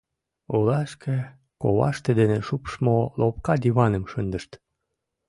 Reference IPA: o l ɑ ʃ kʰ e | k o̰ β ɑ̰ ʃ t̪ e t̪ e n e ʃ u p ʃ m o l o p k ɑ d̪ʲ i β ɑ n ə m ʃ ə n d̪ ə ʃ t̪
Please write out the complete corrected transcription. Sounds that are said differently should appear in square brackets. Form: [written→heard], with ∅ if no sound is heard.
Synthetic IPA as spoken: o l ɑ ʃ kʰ e | k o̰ β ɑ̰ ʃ t̪ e [t̪→d̪] e n e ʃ u p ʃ m o l o p k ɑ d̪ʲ i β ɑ n ə m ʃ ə n d̪ ə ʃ t̪